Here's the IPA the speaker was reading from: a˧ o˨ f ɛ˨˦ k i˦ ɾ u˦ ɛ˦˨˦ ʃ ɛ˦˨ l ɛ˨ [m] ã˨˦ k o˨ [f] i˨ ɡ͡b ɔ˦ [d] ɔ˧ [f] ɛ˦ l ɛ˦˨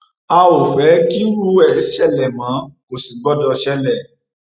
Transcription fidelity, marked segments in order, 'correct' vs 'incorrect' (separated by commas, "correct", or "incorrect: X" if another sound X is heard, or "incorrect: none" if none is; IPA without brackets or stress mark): correct, incorrect: s, correct, incorrect: ʃ